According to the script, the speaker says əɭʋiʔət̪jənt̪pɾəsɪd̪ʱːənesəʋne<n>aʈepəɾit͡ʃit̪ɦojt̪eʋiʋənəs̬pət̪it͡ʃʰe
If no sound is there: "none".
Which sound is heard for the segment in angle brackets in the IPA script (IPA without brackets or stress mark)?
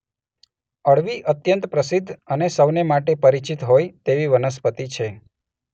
m